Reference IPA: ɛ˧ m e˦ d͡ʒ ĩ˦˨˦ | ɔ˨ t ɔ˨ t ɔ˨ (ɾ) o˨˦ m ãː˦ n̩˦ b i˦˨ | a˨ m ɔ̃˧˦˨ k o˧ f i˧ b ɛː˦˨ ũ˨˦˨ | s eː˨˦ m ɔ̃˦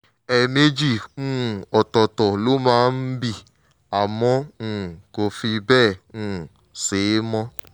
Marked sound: incorrect: l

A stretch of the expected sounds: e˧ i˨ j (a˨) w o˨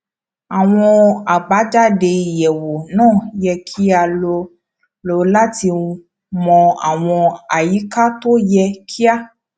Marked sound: incorrect: ɛ˨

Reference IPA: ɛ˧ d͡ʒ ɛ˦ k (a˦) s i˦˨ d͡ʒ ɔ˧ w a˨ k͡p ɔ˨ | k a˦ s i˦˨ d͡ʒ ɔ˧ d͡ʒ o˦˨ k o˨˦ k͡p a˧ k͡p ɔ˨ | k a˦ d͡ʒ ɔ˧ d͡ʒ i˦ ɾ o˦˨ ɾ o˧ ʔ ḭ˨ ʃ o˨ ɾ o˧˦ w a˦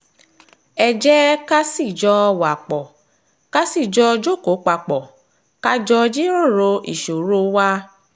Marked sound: correct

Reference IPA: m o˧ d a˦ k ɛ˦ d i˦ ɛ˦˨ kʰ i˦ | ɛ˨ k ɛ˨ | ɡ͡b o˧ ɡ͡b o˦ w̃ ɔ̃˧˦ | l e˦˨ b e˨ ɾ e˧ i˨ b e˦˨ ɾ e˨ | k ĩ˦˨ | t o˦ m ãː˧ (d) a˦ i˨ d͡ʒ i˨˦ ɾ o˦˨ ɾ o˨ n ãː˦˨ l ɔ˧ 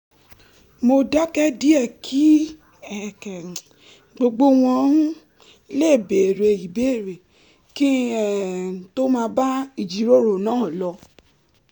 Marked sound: incorrect: b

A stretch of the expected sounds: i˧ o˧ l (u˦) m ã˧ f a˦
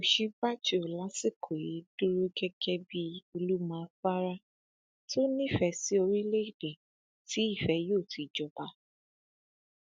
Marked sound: correct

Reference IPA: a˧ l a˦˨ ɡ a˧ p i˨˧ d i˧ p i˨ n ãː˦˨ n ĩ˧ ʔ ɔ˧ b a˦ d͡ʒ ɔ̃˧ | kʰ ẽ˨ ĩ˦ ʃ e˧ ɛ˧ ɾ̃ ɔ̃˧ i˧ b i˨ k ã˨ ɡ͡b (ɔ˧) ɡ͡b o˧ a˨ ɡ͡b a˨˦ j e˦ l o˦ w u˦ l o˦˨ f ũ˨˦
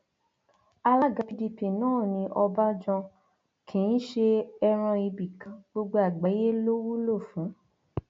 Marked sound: incorrect: o˧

